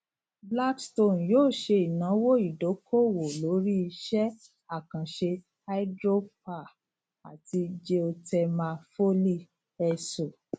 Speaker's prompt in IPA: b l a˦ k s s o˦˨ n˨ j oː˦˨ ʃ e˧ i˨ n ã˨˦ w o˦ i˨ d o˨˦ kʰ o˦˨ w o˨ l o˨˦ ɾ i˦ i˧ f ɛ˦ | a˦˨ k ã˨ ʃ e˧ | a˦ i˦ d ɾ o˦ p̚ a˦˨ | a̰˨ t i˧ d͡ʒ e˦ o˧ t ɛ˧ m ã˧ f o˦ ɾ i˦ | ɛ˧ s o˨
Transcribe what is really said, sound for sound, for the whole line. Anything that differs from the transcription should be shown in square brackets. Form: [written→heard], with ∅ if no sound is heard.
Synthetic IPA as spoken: b l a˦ k s [s→t] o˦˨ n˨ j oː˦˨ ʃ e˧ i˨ n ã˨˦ w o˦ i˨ d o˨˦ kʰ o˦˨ w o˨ l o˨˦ ɾ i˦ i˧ [f→ʃ] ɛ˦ | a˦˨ k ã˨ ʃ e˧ | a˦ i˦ d ɾ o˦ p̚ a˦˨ | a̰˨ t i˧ d͡ʒ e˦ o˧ t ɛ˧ m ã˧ f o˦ [ɾ→l] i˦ | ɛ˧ s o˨